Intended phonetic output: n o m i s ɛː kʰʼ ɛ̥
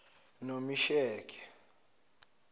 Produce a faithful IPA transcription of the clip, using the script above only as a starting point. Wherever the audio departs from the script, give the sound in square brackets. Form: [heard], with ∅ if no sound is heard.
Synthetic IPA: n o m i [ʃ] ɛː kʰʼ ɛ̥